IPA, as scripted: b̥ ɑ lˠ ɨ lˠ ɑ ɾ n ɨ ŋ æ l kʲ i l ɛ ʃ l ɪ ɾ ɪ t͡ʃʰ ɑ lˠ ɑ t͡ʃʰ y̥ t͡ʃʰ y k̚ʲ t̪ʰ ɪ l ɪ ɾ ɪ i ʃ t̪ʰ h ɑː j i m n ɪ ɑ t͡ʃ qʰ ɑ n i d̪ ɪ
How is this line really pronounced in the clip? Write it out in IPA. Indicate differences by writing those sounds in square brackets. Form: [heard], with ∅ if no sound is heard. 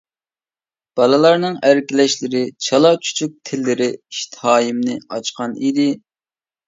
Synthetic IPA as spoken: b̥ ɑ lˠ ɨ lˠ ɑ ɾ n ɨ ŋ æ [ɾ] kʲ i l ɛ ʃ l ɪ ɾ ɪ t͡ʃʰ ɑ lˠ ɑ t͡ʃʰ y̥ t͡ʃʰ y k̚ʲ t̪ʰ ɪ [lː] ɪ ɾ ɪ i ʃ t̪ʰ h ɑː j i m n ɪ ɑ t͡ʃ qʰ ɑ n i d̪ ɪ